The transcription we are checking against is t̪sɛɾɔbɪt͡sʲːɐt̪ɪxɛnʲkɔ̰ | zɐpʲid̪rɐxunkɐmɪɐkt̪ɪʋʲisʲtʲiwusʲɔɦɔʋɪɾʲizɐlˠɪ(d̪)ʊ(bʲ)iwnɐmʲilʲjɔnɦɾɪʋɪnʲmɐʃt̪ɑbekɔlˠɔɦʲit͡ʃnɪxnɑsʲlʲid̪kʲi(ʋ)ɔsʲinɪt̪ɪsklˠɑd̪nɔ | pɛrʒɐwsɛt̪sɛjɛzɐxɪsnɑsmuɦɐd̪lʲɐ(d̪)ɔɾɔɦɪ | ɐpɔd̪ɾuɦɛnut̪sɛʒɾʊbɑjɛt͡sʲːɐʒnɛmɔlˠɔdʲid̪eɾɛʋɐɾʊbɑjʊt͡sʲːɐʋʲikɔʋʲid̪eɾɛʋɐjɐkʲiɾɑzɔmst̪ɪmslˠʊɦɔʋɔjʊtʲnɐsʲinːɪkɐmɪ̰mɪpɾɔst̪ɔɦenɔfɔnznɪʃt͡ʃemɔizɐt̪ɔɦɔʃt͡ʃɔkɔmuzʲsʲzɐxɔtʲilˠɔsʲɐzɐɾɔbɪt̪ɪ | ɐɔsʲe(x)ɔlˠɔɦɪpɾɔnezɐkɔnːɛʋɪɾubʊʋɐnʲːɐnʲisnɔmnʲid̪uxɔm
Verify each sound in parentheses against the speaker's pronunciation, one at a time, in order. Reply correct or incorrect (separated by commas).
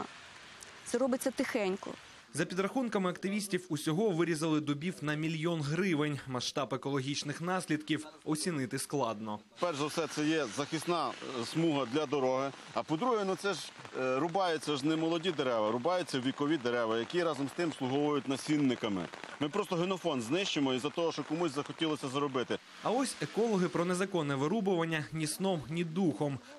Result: correct, correct, incorrect, correct, incorrect